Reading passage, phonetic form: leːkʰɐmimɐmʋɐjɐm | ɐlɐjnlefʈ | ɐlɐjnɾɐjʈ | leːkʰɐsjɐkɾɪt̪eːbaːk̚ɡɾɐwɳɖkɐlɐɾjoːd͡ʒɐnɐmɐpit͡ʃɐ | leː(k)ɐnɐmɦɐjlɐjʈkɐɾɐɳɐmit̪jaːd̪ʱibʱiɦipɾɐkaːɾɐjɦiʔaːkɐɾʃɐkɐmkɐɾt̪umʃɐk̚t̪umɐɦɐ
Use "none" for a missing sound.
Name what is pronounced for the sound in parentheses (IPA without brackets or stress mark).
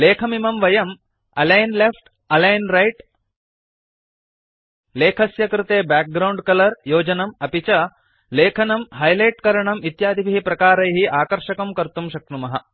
kʰ